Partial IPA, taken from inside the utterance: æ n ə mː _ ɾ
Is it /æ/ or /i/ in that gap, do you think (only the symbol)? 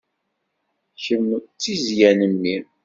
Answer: i